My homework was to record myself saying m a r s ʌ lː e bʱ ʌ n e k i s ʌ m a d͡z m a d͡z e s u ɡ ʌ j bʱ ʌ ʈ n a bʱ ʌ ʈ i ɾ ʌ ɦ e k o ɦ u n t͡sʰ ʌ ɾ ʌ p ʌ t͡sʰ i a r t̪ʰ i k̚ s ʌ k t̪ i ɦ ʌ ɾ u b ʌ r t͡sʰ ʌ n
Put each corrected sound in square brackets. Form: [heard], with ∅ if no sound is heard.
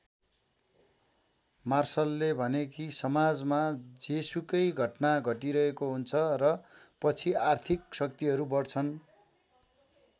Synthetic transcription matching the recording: m a r s ʌ lː e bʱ ʌ n e k i s ʌ m a d͡z m a d͡z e s u [k] ʌ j [ɡʱ] ʌ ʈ n a [ɡʱ] ʌ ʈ i ɾ ʌ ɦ e k o ɦ u n t͡sʰ ʌ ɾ ʌ p ʌ t͡sʰ i a r t̪ʰ i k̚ s ʌ k t̪ i ɦ ʌ ɾ u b ʌ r t͡sʰ ʌ n